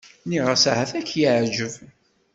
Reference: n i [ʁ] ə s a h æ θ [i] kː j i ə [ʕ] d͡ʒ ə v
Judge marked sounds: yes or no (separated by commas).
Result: yes, no, yes